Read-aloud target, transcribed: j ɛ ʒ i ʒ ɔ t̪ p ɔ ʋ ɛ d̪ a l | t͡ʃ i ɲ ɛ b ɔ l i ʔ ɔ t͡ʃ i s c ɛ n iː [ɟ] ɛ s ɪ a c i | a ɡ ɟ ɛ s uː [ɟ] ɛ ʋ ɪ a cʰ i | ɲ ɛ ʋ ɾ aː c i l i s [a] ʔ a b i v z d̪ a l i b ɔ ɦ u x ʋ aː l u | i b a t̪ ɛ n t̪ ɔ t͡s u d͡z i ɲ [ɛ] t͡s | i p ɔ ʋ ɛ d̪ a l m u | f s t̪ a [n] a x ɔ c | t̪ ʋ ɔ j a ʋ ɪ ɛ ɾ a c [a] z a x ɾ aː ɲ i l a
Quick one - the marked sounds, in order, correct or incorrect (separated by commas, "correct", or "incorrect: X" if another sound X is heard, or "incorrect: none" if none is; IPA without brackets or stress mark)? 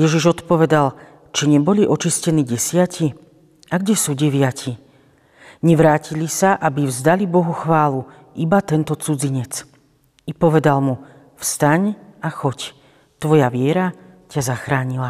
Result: correct, correct, correct, correct, incorrect: ɲ, correct